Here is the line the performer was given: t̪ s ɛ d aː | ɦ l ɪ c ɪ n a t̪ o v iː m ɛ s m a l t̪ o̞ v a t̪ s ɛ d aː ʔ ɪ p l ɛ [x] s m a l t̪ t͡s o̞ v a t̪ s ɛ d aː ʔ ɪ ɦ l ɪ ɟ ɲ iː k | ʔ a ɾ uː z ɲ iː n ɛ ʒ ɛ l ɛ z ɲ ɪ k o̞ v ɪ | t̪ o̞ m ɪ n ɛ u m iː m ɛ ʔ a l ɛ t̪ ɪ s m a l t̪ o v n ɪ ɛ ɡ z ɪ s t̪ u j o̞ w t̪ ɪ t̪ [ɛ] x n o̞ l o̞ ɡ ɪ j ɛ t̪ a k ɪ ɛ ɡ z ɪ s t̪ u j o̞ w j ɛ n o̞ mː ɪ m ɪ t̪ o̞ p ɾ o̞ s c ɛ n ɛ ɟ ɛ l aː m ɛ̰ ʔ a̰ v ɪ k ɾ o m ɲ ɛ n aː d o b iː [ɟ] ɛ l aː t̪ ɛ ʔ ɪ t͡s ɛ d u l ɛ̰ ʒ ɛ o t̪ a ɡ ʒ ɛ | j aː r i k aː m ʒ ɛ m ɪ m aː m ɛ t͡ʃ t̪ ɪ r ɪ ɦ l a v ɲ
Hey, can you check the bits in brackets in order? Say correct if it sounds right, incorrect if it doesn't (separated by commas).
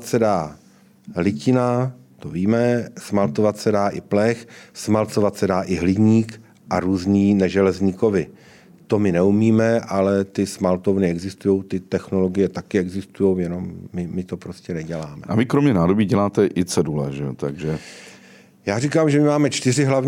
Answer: correct, correct, correct